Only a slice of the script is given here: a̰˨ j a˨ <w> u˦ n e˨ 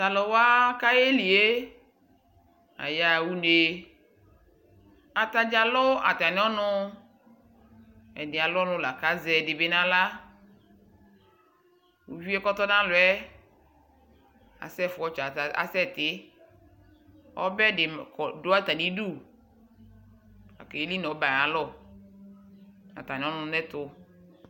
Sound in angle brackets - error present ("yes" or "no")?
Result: no